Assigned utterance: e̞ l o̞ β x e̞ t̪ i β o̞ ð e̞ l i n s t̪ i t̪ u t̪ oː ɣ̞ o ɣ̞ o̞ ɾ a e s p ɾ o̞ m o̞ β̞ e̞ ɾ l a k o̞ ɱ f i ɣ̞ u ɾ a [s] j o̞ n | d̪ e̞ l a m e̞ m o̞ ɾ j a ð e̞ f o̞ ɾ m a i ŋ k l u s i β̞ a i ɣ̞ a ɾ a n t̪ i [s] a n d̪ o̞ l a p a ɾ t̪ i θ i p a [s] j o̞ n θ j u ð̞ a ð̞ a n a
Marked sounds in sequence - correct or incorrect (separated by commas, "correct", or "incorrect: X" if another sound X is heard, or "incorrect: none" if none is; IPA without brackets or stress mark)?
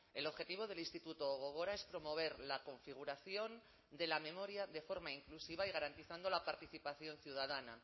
incorrect: θ, incorrect: θ, incorrect: θ